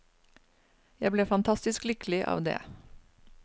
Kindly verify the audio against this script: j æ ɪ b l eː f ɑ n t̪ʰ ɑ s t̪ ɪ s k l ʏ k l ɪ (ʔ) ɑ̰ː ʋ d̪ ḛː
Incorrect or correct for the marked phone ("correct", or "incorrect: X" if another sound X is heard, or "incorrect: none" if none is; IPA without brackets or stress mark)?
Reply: correct